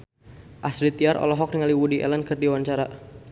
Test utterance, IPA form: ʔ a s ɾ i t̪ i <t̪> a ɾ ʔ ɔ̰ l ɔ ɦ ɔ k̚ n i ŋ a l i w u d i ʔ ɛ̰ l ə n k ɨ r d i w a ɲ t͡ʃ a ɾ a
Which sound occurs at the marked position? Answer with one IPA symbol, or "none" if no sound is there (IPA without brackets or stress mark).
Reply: none